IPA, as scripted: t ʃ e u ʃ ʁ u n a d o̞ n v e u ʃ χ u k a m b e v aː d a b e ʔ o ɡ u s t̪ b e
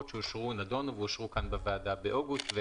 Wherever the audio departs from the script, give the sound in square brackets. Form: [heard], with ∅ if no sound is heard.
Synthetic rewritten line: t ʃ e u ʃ ʁ u n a d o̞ n v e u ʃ [ʁ] u k a [n] b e v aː d a b e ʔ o ɡ u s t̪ [v] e